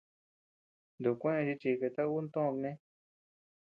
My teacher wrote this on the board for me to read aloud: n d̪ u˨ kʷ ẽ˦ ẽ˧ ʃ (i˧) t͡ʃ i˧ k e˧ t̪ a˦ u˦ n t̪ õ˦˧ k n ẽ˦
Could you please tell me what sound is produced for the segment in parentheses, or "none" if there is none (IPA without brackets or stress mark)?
i˧